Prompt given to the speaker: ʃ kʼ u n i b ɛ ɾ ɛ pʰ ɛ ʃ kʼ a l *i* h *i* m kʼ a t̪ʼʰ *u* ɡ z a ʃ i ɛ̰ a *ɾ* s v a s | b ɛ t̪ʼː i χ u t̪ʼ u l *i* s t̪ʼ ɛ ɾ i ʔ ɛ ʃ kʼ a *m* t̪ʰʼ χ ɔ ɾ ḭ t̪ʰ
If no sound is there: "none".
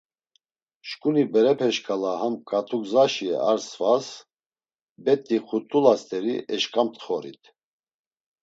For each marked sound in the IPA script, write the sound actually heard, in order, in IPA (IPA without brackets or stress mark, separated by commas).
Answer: a, a, u, ɾ, a, m